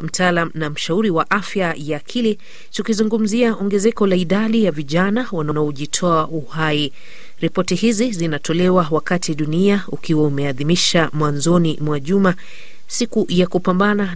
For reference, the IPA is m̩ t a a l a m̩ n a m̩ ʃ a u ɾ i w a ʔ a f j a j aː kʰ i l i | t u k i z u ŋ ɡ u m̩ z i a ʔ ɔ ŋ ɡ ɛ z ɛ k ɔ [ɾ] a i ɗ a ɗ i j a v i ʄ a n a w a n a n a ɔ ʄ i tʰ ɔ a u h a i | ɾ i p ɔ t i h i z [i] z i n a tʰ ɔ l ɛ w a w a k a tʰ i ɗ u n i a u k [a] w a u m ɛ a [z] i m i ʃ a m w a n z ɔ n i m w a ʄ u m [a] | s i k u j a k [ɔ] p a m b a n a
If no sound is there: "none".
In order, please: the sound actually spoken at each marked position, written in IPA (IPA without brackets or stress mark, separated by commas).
l, i, i, ð, a, u